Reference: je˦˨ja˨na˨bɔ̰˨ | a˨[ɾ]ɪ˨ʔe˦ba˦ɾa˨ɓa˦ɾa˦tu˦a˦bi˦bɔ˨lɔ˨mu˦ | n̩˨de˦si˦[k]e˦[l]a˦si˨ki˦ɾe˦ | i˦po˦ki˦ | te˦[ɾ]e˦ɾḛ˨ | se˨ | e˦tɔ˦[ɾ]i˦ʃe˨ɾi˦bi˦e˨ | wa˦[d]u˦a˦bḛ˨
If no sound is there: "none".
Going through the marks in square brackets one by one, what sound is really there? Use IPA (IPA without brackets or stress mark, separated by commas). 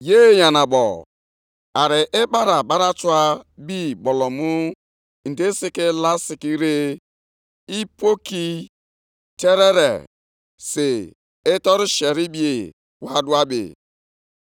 ɾ, k, l, ɾ, ɾ, d